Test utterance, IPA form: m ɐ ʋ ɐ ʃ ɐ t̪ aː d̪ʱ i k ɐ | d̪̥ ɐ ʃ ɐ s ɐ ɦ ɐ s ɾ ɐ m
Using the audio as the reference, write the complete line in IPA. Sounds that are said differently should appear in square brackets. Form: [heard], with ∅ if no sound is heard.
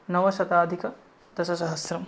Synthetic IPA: [n] ɐ ʋ ɐ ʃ ɐ t̪ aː d̪ʱ i k ɐ | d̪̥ ɐ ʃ ɐ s ɐ ɦ ɐ s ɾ ɐ m